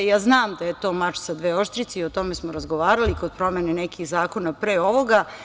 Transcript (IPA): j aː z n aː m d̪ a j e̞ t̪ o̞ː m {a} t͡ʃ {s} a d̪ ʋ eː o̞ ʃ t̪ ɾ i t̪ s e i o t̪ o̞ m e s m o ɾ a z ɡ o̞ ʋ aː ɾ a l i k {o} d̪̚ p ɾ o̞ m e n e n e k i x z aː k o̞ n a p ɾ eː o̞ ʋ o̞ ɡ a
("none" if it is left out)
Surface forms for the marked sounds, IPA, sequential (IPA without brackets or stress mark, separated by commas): a, s, o